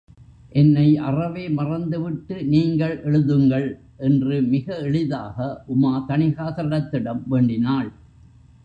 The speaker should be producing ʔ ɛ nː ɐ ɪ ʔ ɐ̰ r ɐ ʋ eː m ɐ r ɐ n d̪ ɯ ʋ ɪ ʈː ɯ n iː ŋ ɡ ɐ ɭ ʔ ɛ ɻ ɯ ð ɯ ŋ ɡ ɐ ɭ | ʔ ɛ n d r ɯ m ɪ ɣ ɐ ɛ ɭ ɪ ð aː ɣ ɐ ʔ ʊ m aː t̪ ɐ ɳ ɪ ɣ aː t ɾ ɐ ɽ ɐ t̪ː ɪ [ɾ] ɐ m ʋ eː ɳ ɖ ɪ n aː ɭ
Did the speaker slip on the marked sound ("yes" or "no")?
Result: yes